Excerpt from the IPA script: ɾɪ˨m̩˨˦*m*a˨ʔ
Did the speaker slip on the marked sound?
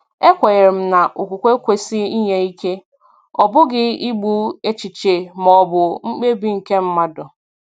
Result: yes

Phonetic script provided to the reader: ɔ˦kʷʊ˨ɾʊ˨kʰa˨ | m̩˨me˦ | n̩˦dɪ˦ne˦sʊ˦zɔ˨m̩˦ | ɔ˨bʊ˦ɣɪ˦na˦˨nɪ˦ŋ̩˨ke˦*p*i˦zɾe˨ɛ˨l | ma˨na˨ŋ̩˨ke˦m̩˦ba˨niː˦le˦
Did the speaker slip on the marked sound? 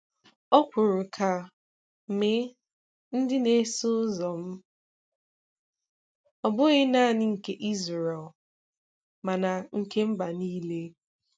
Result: yes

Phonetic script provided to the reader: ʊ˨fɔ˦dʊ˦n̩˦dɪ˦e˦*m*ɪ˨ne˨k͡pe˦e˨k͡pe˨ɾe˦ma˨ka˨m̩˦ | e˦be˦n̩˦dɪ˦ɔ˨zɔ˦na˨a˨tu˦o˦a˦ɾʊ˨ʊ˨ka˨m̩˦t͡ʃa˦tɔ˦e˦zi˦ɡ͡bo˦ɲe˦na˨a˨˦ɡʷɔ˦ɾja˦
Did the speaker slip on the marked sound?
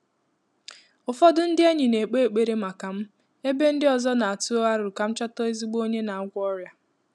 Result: yes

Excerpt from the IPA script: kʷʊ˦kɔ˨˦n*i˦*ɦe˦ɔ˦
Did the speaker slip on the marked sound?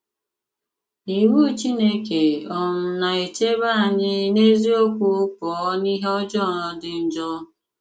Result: no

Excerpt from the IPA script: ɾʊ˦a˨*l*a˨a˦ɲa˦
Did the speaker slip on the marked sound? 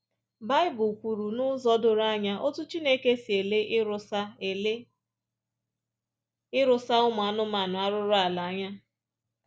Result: no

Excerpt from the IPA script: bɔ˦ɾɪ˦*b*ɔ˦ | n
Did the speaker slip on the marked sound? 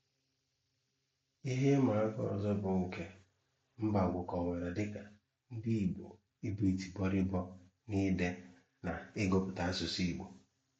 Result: no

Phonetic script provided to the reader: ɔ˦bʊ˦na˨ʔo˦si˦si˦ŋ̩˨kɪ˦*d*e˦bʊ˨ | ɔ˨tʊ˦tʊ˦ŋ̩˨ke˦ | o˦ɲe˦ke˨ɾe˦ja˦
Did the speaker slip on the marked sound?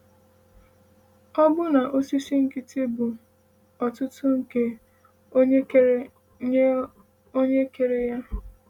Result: yes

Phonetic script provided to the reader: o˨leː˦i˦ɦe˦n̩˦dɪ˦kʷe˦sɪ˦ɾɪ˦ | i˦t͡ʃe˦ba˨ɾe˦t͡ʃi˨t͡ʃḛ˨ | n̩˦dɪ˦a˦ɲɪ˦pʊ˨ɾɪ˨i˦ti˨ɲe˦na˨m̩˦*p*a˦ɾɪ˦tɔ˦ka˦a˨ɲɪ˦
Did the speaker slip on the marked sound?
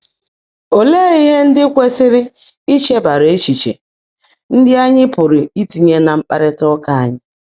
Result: yes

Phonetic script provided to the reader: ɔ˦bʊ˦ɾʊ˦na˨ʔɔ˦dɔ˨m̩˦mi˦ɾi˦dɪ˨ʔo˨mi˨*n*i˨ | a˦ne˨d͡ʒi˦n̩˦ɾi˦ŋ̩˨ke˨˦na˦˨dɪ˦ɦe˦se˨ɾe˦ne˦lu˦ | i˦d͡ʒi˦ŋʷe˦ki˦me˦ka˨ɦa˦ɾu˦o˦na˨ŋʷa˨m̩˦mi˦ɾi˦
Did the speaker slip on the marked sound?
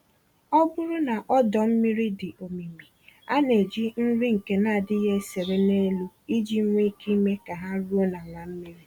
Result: yes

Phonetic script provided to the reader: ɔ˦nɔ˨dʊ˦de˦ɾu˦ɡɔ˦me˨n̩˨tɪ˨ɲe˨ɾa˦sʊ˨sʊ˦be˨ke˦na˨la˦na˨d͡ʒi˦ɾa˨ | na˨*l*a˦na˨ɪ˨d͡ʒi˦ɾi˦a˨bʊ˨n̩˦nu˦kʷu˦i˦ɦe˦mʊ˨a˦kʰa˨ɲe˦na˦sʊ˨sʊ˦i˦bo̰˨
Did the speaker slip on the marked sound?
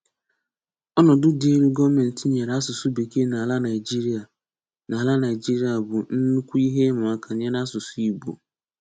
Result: no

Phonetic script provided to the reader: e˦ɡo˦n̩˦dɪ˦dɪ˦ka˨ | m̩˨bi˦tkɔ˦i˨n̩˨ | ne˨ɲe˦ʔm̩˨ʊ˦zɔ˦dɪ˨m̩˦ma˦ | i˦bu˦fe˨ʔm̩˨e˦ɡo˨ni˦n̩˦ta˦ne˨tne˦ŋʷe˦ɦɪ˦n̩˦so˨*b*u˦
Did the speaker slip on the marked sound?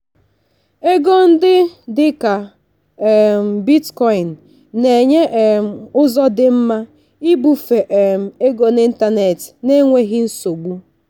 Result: yes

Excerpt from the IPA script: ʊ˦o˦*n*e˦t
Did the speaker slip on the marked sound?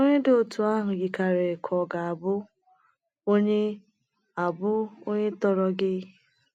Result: yes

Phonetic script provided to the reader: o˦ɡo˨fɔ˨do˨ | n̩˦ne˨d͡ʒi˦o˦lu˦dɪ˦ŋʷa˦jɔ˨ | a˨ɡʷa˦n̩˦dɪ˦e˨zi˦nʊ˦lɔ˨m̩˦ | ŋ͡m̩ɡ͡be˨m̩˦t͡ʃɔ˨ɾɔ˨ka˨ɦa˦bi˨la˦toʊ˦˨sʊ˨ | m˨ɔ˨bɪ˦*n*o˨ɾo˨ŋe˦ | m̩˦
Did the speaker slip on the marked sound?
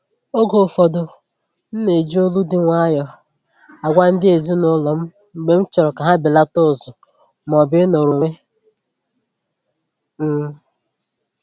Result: no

